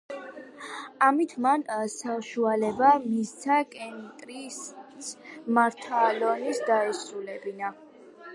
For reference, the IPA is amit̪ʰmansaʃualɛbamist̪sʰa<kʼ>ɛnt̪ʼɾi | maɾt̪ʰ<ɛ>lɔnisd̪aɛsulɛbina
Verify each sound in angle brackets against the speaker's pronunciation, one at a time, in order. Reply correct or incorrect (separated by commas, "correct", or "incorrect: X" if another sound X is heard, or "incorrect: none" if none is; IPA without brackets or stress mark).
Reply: correct, incorrect: a